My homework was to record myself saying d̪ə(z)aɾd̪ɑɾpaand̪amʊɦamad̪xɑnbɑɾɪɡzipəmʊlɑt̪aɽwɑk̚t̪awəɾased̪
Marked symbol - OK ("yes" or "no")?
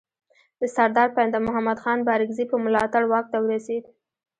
no